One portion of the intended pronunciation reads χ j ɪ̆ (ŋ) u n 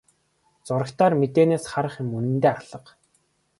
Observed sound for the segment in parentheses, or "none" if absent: m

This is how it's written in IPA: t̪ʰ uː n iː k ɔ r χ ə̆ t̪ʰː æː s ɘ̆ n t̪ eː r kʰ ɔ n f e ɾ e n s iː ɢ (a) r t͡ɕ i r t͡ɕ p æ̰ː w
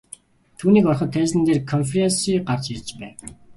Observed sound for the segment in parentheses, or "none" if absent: a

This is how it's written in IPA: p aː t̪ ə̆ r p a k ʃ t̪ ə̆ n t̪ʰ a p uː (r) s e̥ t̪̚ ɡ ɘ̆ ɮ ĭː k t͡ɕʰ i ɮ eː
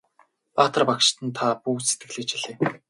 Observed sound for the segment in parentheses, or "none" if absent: none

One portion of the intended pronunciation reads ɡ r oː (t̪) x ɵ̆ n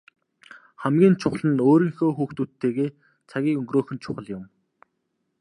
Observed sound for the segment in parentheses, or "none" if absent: none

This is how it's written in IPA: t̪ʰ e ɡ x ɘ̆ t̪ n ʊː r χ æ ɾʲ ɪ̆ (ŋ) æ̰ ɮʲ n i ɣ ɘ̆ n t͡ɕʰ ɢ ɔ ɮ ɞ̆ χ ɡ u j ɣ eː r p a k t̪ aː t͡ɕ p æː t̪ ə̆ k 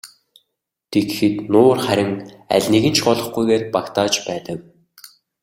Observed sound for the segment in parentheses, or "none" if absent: ŋ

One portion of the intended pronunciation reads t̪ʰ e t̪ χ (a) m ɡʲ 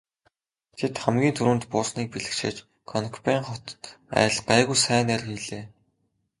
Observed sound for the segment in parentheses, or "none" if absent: æ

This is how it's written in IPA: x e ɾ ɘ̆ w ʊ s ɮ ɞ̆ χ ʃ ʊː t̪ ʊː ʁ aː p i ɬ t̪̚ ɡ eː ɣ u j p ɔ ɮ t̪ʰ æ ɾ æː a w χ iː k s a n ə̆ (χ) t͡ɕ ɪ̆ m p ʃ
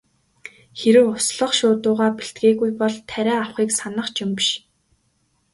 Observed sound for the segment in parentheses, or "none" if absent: χ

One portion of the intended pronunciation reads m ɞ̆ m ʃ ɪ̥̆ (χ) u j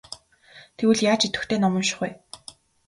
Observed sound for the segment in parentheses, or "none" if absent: χ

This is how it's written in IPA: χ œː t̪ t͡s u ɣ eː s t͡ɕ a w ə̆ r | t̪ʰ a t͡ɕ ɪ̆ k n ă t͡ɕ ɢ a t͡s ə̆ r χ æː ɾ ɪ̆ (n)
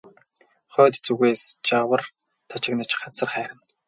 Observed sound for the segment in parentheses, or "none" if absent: n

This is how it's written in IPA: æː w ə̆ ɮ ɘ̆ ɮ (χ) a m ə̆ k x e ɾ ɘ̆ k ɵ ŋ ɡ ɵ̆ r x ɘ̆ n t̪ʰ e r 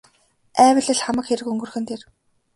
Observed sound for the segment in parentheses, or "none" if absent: χ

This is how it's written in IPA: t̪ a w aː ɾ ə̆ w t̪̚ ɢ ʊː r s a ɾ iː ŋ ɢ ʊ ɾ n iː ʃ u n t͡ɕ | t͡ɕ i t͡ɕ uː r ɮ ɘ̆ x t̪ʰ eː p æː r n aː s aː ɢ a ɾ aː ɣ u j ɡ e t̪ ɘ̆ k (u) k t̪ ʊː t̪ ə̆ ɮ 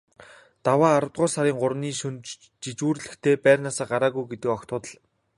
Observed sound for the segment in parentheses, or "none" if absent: ɔ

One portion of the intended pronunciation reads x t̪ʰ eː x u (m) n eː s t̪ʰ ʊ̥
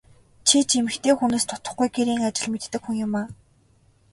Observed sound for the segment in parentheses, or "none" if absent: none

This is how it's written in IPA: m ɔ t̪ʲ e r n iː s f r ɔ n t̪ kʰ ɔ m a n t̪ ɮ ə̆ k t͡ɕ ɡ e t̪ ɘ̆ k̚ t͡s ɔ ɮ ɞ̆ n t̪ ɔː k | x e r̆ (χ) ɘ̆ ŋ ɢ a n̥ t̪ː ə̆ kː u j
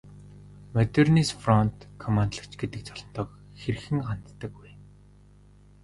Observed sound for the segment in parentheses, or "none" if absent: x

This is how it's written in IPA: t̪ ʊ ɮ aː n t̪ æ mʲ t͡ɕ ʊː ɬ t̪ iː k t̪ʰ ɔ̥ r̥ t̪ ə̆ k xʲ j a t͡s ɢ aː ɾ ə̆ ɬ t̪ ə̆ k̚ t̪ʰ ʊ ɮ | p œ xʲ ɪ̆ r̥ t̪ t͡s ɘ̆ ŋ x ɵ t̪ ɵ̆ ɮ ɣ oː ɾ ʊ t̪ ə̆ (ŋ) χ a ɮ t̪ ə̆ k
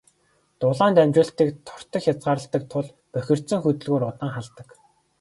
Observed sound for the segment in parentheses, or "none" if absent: ŋ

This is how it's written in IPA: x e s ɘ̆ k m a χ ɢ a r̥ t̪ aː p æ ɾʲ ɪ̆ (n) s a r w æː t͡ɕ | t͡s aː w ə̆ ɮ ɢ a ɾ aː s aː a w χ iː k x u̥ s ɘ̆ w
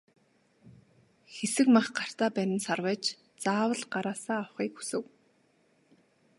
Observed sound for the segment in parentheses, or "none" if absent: n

